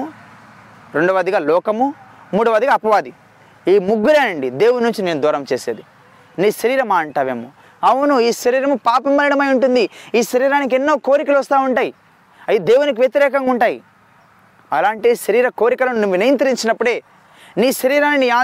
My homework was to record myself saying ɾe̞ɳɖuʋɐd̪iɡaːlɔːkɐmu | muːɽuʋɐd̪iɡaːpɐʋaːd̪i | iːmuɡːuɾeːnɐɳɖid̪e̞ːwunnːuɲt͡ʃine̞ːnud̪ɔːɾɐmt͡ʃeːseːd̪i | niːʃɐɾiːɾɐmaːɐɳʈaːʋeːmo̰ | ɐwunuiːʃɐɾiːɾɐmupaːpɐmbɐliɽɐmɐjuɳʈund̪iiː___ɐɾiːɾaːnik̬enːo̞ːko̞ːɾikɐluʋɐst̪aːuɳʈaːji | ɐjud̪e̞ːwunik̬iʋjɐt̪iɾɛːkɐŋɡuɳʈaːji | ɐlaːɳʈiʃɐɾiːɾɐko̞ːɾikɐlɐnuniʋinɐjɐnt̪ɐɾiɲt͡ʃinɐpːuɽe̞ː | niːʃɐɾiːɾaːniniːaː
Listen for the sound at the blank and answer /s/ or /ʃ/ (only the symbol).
ʃ